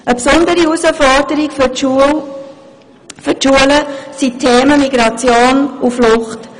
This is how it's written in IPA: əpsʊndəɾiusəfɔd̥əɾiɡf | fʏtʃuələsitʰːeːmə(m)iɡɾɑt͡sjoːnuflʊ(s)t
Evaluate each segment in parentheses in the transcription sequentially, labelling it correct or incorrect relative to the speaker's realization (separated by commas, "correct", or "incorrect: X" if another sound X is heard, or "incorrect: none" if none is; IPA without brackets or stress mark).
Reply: correct, incorrect: χ